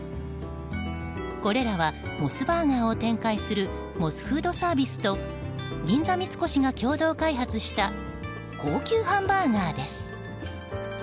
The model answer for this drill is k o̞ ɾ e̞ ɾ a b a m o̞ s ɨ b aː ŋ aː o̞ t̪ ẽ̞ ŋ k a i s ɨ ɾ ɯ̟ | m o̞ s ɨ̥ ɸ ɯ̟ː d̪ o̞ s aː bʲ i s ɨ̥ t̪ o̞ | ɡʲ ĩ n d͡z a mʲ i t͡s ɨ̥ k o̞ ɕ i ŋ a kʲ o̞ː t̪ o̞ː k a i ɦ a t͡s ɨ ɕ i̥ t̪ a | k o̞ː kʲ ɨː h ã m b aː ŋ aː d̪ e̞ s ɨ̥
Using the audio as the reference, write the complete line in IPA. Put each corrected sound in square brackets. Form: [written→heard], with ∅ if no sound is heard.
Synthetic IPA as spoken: k o̞ ɾ e̞ ɾ a [b→β] a m o̞ s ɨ b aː ŋ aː o̞ t̪ ẽ̞ ŋ k a i s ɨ ɾ ɯ̟ | m o̞ s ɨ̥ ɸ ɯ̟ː d̪ o̞ s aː bʲ i s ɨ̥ t̪ o̞ | ɡʲ ĩ n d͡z a mʲ i t͡s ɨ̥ k o̞ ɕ i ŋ a kʲ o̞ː [t̪→d̪] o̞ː k a i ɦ a t͡s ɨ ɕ i̥ t̪ a | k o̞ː kʲ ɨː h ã m b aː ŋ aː d̪ e̞ s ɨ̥